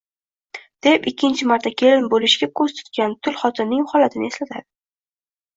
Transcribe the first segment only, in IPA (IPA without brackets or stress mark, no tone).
d̪̥